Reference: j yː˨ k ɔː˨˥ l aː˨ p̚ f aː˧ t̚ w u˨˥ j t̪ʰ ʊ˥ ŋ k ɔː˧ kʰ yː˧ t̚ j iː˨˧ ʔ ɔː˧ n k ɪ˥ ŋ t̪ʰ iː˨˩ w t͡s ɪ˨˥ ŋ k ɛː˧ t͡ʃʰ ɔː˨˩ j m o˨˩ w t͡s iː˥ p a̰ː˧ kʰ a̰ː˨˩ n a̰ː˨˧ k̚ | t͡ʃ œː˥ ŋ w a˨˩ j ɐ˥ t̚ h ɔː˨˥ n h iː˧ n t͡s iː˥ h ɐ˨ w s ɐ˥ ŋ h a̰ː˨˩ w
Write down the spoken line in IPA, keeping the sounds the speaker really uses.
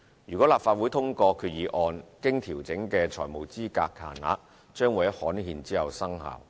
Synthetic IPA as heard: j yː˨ k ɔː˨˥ l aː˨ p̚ f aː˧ t̚ w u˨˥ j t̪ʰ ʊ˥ ŋ k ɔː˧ kʰ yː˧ t̚ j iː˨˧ ʔ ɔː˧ n k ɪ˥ ŋ t̪ʰ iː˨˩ w t͡s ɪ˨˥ ŋ k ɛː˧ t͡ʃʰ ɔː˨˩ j m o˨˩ w t͡s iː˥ k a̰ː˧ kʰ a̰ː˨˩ n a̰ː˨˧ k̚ | t͡ʃ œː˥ ŋ w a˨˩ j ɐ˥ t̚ h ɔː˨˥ n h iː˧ n t͡s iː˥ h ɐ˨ w s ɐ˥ ŋ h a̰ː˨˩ w